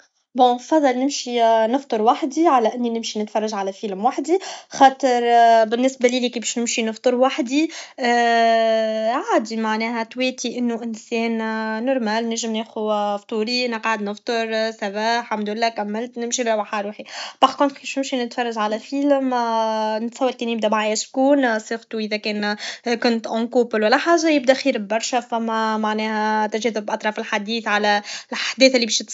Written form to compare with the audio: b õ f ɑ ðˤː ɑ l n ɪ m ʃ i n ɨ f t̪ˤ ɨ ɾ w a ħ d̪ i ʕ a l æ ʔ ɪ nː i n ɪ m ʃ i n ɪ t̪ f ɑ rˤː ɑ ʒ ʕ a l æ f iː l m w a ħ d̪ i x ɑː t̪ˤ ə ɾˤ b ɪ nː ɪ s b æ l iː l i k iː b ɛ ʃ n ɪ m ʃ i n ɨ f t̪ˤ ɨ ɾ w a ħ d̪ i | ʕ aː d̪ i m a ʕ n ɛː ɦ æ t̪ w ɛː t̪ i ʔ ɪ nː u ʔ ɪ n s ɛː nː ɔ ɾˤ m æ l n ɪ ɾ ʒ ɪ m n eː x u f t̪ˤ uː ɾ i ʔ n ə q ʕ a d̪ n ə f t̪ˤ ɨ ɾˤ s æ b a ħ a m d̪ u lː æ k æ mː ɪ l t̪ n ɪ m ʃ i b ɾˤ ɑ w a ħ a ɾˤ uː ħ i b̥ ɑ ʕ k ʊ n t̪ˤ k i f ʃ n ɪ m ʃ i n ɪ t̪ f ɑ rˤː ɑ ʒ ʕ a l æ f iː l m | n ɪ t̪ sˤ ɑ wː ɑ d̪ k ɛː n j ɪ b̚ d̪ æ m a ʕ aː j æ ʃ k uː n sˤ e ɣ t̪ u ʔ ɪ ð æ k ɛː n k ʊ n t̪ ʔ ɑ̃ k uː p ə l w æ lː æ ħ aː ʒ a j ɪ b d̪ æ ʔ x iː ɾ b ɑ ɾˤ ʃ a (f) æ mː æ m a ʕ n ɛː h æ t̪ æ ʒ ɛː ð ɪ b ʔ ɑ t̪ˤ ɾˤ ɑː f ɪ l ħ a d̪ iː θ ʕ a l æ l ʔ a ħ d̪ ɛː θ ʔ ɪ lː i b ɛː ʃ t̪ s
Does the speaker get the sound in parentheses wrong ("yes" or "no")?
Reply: no